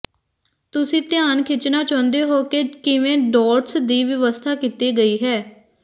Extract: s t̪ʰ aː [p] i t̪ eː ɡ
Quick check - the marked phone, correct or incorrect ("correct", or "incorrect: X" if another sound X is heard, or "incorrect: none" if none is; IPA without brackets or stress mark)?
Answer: incorrect: k